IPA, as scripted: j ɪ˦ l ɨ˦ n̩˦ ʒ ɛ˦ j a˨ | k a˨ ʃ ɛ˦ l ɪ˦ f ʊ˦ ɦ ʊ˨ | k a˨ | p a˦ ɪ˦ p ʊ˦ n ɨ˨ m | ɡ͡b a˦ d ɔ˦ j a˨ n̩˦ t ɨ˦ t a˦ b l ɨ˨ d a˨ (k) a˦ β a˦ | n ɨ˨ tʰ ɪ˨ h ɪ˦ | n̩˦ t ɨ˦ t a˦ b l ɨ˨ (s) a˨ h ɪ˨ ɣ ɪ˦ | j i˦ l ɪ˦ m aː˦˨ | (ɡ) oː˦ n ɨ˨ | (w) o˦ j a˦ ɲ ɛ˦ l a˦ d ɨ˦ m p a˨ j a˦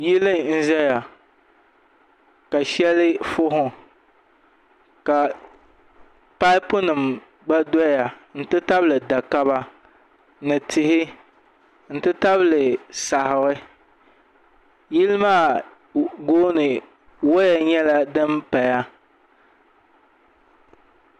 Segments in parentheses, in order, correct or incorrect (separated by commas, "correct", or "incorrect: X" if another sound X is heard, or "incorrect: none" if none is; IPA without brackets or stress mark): correct, correct, correct, correct